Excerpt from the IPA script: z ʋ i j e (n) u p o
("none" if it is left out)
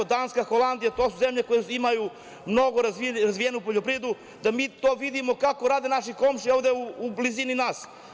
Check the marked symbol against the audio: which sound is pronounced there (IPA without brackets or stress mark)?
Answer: n